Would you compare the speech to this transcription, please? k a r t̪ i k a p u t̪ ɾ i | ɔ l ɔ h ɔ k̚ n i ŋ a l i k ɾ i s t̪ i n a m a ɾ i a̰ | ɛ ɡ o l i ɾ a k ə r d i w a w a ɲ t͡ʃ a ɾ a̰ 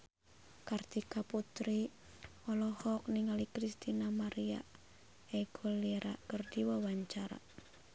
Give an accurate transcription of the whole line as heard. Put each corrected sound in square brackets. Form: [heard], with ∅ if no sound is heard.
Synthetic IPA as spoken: k a r t̪ i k a p u t̪ ɾ i | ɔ l ɔ h ɔ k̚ n i ŋ a l i k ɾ i s t̪ i n a m a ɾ i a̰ | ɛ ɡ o l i ɾ a k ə r d i w a w a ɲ t͡ʃ a ɾ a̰